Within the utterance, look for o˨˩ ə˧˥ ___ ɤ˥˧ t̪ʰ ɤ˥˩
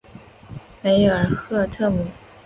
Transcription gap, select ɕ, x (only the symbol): x